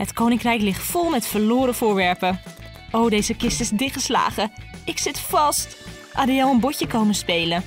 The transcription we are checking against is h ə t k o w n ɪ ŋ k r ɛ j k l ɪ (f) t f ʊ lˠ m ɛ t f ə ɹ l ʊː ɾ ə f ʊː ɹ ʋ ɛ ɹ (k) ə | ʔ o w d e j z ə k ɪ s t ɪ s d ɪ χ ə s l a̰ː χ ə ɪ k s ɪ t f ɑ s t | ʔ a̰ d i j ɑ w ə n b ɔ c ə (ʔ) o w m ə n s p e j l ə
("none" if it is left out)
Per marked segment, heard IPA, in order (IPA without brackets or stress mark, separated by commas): χ, p, k